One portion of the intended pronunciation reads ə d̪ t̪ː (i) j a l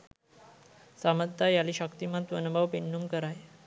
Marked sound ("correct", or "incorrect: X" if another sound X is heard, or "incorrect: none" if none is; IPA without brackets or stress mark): incorrect: a